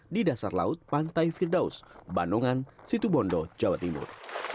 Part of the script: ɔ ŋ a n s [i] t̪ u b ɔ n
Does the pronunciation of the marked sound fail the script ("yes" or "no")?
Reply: no